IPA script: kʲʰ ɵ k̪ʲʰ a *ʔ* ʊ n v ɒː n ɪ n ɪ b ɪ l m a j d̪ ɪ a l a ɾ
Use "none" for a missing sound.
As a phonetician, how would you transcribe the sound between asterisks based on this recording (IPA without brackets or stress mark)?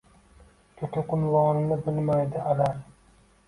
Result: q